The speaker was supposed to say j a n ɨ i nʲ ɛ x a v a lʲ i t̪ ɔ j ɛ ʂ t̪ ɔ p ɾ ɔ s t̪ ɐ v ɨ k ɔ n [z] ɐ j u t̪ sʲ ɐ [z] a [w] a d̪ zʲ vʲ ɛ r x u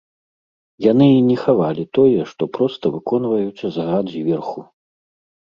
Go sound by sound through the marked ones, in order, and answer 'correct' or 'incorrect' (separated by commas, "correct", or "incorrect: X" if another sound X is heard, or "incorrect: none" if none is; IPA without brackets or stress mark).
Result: incorrect: v, correct, incorrect: ɣ